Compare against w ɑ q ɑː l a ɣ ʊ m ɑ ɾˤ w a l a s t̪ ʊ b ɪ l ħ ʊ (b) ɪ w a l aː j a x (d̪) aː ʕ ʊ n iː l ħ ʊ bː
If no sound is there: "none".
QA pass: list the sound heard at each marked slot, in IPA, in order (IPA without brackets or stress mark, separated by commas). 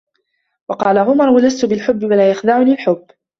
bː, d̪